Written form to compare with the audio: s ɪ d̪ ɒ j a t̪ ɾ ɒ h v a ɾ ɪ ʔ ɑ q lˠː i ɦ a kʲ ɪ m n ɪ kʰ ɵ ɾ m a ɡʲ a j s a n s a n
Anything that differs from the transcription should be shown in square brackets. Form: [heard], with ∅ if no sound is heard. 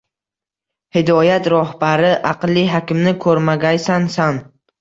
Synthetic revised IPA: [h] ɪ d̪ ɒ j a t̪ ɾ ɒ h [b] a ɾ ɪ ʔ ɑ q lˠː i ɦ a kʲ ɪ m n ɪ kʰ ɵ ɾ m a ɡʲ a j s a n s a n